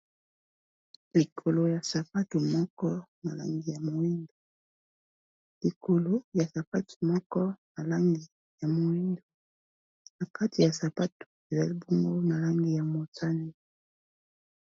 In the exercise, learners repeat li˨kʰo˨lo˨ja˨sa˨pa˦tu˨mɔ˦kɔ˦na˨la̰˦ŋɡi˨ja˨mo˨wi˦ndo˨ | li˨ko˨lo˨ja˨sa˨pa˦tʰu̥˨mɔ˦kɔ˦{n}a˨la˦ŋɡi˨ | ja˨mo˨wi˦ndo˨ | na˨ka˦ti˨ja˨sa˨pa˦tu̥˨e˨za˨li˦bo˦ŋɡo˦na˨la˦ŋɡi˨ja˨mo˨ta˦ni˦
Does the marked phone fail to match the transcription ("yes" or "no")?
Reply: no